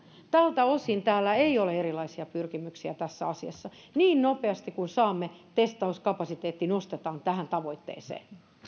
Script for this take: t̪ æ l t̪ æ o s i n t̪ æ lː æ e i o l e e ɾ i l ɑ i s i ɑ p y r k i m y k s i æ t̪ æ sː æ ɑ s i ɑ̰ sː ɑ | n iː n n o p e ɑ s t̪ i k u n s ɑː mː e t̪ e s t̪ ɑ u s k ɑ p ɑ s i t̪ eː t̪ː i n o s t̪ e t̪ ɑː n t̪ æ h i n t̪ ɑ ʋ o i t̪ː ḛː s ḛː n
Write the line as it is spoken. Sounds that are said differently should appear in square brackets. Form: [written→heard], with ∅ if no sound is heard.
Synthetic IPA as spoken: t̪ æ l t̪ æ o s i n t̪ [æ→æː] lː æ e i o l e e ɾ i l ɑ i s i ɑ p y r k i m y k s i æ t̪ æ sː æ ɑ s i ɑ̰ sː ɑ | n iː n n o p e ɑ s t̪ i k u n s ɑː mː e t̪ e s t̪ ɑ u s k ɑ p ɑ s i t̪ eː t̪ː i n o s t̪ e t̪ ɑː n t̪ æ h [i→æ] n t̪ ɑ ʋ o i t̪ː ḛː s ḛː n